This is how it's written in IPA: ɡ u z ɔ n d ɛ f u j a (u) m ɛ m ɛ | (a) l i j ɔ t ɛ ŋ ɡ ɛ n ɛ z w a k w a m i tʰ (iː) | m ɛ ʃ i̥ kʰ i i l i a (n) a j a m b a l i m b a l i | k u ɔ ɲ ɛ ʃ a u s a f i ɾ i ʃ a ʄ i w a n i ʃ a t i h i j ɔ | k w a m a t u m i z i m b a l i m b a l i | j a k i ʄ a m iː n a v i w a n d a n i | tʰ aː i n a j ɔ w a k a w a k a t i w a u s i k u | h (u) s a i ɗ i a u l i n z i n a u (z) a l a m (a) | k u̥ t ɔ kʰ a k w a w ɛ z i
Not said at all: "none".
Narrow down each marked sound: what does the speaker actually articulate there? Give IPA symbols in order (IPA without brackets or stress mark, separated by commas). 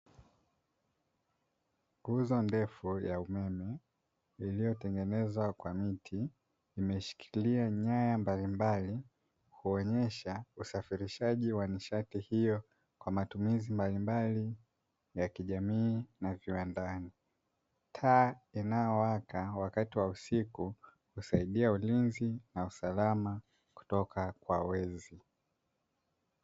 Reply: u, i, iː, ɲ, u, s, a